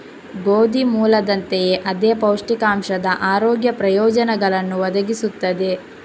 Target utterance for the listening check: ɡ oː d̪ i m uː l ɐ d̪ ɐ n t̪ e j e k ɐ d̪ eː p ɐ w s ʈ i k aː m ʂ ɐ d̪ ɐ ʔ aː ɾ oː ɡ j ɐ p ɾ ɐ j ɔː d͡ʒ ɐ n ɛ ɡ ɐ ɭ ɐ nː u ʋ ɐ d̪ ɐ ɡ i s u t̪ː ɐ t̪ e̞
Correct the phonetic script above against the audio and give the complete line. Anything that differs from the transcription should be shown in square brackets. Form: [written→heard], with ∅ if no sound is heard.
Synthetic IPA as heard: ɡ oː d̪ i m uː l ɐ d̪ ɐ n t̪ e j e [k→ʔ] ɐ d̪ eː p ɐ w [s→ʂ] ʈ i k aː m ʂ ɐ d̪ ɐ ʔ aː ɾ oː ɡ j ɐ p ɾ ɐ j ɔː d͡ʒ ɐ n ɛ ɡ ɐ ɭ ɐ nː u ʋ ɐ d̪ ɐ ɡ i s u t̪ː ɐ [t̪→d̪] e̞